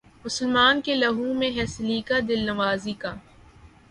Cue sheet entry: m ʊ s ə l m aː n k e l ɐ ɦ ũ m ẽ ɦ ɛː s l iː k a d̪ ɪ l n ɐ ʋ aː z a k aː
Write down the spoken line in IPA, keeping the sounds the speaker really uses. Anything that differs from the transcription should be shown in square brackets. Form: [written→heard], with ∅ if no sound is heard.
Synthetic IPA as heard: m ʊ s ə l m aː n k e l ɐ ɦ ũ m ẽ ɦ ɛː s l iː k a d̪ ɪ l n ɐ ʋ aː z [a→i] k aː